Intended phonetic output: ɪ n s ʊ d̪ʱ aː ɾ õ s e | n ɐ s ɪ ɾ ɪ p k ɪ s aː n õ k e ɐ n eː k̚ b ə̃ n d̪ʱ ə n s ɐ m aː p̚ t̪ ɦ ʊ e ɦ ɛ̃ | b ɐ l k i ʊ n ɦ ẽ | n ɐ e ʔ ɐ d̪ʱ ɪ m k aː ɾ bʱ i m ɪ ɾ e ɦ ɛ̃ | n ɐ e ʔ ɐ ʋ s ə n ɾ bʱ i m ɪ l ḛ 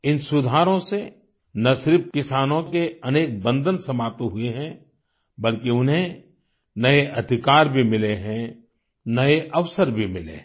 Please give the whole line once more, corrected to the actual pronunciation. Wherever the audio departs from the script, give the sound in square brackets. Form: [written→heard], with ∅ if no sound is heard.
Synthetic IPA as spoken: ɪ n s ʊ d̪ʱ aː ɾ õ s e | n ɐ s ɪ ɾ ɪ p k ɪ s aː n õ k e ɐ n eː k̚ b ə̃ n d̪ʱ ə n s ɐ m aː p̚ t̪ ɦ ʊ e ɦ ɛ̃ | b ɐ l k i ʊ n ɦ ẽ | n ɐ e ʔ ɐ d̪ʱ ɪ [m→∅] k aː ɾ bʱ i m ɪ [ɾ→l] e ɦ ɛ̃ | n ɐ e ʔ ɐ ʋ s ə [n→∅] ɾ bʱ i m ɪ l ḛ